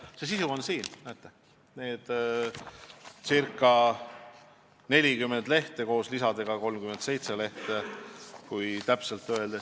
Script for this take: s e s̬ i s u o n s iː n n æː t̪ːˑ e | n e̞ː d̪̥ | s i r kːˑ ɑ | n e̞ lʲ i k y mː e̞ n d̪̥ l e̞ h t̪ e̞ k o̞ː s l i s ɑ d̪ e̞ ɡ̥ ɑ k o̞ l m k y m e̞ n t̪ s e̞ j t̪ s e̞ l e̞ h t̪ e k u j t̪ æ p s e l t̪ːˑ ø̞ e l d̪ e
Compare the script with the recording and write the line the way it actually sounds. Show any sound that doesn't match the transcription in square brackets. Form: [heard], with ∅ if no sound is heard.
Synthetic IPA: s e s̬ i s u o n s iː n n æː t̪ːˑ e | n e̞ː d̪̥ | s i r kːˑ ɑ | n e̞ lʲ i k y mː e̞ n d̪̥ l e̞ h t̪ e̞ k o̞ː s l i s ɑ d̪ e̞ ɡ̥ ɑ k o̞ l m k y m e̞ n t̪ s e̞ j t̪ s e̞ l e̞ h t̪ e k u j t̪ æ p s e l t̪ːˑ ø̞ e l d̪ e